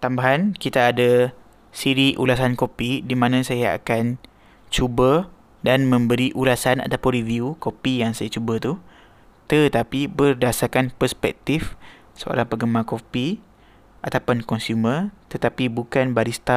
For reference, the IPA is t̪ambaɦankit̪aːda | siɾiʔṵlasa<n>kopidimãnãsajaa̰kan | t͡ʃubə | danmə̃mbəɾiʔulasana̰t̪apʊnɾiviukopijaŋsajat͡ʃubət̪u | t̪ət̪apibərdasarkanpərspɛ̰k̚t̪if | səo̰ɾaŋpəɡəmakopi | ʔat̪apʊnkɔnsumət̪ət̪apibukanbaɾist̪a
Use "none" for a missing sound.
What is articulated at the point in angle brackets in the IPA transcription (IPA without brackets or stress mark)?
n